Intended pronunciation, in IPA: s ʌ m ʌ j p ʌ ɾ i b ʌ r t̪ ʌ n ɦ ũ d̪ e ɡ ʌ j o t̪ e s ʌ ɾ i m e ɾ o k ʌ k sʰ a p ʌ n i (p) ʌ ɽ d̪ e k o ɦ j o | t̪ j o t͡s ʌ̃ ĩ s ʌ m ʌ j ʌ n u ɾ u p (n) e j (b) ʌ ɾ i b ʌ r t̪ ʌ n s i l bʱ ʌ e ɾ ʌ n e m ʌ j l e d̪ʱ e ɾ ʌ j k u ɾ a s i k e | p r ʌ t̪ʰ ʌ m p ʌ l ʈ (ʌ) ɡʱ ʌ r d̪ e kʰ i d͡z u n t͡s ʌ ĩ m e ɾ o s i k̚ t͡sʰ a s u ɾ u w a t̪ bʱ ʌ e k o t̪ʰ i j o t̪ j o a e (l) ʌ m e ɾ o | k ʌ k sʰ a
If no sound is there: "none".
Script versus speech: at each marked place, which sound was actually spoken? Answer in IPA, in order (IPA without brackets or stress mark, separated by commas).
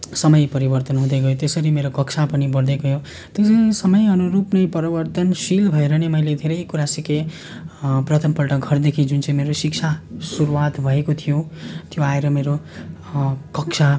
b, n, p, ʌ, ɾ